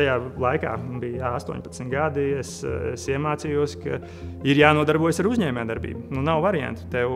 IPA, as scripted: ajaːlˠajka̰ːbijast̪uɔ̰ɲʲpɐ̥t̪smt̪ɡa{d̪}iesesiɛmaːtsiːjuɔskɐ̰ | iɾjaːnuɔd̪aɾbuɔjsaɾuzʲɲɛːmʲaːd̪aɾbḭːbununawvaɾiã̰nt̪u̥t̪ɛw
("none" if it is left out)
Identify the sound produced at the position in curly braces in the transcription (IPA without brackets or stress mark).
d̪